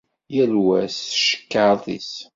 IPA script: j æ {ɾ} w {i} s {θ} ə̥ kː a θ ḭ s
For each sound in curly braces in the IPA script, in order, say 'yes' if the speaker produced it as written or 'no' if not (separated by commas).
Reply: no, no, no